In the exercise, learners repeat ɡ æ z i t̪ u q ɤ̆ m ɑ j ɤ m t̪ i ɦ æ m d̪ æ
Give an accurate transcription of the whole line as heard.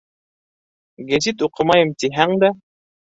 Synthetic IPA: ɡ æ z i t̪ u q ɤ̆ m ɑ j ɤ m t̪ i ɦ æ ŋ d̪ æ